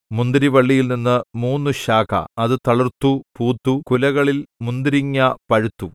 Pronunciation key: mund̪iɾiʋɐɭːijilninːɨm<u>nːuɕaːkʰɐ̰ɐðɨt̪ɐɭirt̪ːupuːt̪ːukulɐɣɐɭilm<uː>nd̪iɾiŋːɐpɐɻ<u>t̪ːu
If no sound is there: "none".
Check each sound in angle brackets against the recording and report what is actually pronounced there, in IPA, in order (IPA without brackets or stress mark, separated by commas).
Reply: uː, u, u